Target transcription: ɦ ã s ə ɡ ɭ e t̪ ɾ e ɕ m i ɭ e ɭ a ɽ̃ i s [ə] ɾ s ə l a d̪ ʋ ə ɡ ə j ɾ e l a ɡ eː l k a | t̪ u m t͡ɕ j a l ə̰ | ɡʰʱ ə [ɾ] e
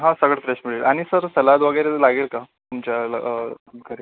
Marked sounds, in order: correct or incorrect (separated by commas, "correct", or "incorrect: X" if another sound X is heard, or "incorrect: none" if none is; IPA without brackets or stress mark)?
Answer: correct, correct